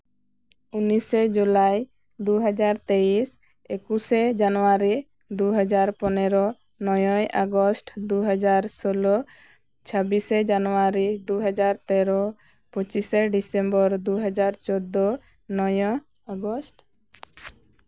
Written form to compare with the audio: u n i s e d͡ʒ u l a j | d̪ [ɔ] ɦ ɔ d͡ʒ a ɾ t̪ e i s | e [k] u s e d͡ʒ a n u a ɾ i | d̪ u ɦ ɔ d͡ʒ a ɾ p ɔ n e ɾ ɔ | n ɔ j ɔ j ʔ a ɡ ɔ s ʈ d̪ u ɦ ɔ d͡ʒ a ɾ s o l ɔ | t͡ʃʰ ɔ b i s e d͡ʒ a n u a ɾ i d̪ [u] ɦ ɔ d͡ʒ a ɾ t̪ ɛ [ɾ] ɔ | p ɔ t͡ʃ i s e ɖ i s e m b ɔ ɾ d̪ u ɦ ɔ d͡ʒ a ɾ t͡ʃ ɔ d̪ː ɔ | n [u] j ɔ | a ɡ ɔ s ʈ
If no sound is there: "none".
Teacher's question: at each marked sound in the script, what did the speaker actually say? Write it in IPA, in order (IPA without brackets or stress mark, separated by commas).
u, k, u, ɾ, ɔ